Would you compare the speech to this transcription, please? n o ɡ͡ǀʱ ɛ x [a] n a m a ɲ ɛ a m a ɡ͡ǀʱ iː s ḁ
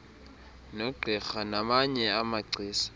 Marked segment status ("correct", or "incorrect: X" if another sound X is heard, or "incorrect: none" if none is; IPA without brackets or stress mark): correct